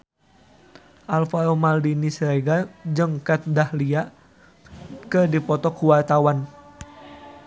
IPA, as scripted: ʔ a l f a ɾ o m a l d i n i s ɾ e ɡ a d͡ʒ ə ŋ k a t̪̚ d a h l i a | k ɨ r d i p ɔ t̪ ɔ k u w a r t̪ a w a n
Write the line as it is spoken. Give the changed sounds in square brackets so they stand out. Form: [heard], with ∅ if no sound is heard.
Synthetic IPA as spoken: ʔ a l f a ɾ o m a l d i n i s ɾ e ɡ a d͡ʒ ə ŋ k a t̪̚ d a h l i a | k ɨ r d i p ɔ t̪ ɔ k u w a r t̪ a w a n

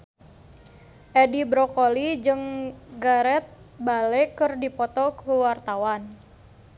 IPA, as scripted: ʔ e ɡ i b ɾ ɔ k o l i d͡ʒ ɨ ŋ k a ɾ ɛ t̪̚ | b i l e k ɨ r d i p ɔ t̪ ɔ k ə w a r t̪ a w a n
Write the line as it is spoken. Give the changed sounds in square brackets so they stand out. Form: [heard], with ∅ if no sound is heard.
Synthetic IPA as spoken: ʔ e [d] i b ɾ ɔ k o l i d͡ʒ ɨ ŋ [ɡ] a ɾ ɛ t̪̚ | b [a] l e k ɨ r d i p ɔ t̪ ɔ k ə w a r t̪ a w a n

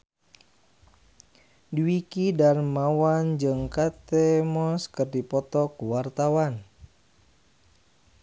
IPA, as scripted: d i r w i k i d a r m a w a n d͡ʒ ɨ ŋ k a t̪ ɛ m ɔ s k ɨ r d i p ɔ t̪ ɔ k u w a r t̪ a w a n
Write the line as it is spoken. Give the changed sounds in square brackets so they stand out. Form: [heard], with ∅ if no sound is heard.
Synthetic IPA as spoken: d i [∅] w i k i d a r m a w a n d͡ʒ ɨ ŋ k a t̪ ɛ m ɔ s k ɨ r d i p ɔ t̪ ɔ k u w a r t̪ a w a n

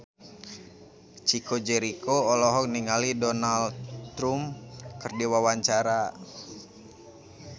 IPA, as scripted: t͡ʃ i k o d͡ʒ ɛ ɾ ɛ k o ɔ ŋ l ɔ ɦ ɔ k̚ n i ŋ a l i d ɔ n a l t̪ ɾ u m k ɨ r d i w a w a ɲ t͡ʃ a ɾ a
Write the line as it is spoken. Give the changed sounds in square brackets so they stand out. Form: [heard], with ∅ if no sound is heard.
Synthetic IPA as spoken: t͡ʃ i k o d͡ʒ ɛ ɾ [i] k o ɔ [∅] l ɔ ɦ ɔ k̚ n i ŋ a l i d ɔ n a l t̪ ɾ u m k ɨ r d i w a w a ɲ t͡ʃ a ɾ a

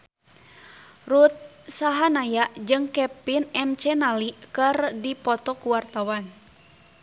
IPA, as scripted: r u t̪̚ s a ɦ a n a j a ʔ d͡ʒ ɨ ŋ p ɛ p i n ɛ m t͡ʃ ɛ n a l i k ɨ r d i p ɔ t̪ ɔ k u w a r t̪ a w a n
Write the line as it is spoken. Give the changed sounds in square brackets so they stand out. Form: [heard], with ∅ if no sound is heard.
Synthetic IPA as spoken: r u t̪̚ s a ɦ a n a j a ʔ d͡ʒ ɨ ŋ [k] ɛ p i n ɛ m t͡ʃ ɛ n a l i k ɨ r d i p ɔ t̪ ɔ k u w a r t̪ a w a n

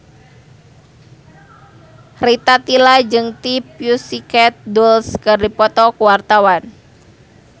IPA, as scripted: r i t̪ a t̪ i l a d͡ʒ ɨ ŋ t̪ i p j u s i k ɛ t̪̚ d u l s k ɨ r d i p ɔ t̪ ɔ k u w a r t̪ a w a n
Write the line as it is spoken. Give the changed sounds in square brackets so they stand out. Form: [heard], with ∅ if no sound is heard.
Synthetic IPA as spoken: r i t̪ a t̪ i l a d͡ʒ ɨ ŋ t̪ i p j u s i k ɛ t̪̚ d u l s k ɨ r d i p ɔ t̪ ɔ k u w a r t̪ a w a n

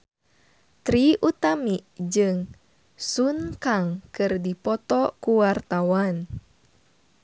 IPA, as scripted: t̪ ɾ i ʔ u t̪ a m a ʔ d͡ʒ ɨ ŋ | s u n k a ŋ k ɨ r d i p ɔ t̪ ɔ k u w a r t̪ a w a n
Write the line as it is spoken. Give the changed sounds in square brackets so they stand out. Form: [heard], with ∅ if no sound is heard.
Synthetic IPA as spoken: t̪ ɾ i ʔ u t̪ a m [i] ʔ d͡ʒ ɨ ŋ | s u n k a ŋ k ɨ r d i p ɔ t̪ ɔ k u w a r t̪ a w a n

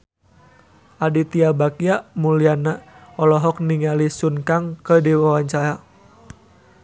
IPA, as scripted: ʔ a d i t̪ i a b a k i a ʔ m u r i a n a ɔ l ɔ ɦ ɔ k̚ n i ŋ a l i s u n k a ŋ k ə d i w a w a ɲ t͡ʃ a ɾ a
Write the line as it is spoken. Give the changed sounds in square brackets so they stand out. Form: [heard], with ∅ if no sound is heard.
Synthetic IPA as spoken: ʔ a d i t̪ i a b a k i a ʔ m u [l] i a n a ɔ l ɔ ɦ ɔ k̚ n i ŋ a l i s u n k a ŋ k ə d i w a w a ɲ t͡ʃ a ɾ a

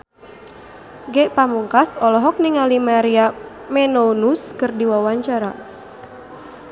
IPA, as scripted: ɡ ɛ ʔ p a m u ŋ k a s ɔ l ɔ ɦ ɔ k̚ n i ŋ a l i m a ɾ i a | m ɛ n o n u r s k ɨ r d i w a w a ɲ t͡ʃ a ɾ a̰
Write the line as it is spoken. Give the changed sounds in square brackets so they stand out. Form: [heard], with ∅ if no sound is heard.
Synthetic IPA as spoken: ɡ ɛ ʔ p a m u ŋ k a s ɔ l ɔ ɦ ɔ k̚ n i ŋ a l i m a ɾ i a | m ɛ n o n u [∅] s k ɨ r d i w a w a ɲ t͡ʃ a ɾ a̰

